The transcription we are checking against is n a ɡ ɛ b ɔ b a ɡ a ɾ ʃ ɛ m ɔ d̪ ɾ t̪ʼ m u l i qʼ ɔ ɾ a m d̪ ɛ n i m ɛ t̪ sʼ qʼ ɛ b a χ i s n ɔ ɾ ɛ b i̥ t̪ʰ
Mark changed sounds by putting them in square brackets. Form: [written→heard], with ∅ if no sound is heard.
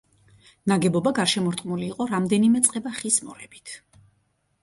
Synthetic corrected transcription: n a ɡ ɛ b ɔ b a ɡ a ɾ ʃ ɛ m ɔ [d̪→∅] ɾ t̪ʼ m u l [i→iː] qʼ ɔ ɾ a m d̪ ɛ n i m ɛ t̪ sʼ qʼ ɛ b a χ i s [n→m] ɔ ɾ ɛ b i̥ t̪ʰ